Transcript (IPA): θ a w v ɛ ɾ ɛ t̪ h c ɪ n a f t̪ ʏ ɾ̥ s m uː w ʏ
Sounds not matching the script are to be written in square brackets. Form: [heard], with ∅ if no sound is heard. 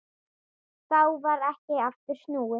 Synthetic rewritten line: θ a w v [a] ɾ ɛ [∅] h c ɪ [∅] a f t̪ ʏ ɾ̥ s [n] uː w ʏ